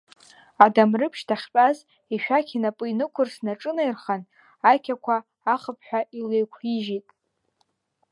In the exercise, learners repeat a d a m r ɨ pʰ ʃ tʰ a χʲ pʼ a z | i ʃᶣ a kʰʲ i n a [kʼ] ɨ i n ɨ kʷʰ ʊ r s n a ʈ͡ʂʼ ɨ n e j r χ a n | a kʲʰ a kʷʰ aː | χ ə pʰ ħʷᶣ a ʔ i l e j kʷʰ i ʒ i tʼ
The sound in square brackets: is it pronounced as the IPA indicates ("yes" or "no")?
no